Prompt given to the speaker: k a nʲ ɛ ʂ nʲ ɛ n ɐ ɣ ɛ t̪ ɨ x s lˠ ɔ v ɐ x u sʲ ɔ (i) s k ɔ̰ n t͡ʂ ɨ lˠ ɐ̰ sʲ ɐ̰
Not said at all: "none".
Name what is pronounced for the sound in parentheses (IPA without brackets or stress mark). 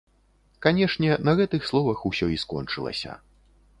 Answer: i